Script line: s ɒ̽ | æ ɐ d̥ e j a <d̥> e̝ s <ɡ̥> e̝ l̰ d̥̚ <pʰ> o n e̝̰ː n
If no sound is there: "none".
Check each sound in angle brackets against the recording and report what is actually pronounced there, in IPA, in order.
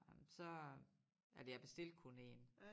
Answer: b̥, d̥, kʰ

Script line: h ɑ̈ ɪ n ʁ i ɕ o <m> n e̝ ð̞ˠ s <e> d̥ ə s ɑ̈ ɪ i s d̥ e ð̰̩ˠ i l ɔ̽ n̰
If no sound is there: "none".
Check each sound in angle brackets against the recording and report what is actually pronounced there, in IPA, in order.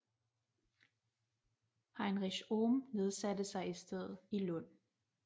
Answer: m, æ

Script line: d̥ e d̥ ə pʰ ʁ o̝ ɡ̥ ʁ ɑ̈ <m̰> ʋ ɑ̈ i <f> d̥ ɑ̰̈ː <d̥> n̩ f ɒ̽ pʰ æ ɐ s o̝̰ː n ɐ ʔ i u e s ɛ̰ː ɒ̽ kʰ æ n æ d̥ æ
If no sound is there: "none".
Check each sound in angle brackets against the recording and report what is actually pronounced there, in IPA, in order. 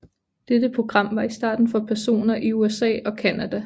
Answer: m̰, s, d̥

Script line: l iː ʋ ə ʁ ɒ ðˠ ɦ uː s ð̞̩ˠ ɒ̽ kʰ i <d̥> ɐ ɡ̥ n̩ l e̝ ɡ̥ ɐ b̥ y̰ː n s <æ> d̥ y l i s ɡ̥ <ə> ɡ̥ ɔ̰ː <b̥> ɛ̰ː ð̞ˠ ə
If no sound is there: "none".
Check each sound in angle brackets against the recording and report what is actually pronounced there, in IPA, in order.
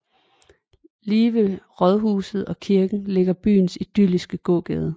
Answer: none, i, ə, ɡ̥

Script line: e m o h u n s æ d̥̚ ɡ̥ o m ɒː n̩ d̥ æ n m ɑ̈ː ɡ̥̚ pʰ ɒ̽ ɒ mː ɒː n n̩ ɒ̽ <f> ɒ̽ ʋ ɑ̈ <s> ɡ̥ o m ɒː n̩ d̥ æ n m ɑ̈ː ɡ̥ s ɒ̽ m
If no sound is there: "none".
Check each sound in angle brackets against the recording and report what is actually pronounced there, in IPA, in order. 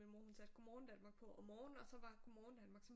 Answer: s, none

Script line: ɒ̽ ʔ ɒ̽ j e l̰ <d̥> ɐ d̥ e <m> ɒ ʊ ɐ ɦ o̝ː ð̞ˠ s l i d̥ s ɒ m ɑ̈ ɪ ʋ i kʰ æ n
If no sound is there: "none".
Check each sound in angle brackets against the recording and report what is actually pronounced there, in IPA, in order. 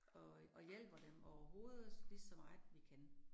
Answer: b̥, m

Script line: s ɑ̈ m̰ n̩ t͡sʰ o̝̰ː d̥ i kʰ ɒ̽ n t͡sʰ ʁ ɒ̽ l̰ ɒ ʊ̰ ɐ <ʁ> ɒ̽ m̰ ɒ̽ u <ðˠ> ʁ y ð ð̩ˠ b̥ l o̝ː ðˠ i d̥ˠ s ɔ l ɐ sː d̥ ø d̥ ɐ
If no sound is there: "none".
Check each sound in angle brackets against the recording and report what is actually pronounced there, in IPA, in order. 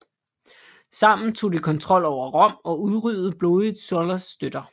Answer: ʁ, ðˠ

